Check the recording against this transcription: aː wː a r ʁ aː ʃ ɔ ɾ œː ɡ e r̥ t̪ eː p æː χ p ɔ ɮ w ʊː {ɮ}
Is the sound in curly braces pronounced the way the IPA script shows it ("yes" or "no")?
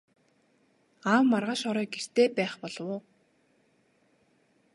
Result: no